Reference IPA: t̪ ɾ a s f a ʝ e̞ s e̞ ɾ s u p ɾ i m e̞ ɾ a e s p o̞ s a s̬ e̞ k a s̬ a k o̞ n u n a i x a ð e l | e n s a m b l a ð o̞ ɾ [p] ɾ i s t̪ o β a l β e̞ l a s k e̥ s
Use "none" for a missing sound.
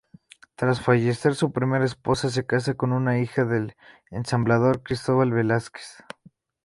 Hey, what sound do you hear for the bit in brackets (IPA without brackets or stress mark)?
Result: k